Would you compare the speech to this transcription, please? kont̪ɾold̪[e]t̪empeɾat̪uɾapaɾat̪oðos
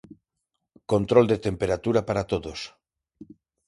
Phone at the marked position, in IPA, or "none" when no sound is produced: e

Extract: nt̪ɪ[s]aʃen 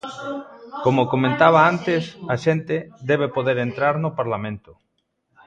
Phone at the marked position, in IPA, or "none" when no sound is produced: s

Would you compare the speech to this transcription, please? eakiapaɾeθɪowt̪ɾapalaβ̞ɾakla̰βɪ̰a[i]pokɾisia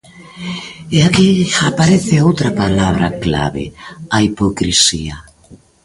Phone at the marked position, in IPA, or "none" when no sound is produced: i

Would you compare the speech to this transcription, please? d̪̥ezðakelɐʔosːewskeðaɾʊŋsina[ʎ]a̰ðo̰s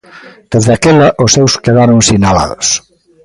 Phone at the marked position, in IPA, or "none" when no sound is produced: l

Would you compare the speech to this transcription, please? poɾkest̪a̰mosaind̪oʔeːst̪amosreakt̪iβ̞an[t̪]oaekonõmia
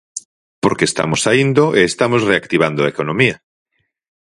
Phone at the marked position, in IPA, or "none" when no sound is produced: d̪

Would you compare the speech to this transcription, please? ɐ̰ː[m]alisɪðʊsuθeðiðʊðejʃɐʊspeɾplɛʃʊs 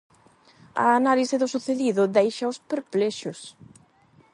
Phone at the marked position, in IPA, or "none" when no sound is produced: n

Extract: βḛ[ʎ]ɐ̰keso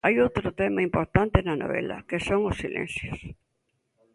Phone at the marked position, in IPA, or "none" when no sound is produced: l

